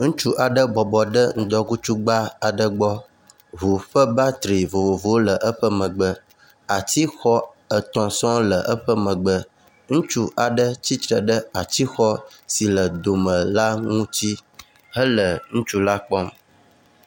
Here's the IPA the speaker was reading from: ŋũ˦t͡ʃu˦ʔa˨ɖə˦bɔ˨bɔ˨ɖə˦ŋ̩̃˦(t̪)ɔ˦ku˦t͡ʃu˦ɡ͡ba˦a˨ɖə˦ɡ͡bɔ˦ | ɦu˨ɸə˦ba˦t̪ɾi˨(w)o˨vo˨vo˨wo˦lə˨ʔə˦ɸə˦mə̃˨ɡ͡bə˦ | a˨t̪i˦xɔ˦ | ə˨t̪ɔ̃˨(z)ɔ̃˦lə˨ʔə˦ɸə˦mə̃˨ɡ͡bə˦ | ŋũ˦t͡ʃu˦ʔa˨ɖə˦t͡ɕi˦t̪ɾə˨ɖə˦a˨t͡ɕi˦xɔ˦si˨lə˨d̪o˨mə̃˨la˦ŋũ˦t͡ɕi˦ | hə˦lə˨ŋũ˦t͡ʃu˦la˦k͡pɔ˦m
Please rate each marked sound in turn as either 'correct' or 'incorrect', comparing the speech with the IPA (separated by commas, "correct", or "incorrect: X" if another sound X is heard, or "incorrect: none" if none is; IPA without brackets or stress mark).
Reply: incorrect: d̪, incorrect: v, incorrect: s